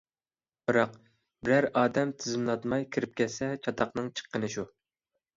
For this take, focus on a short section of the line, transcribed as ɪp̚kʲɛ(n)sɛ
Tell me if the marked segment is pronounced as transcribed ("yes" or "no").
no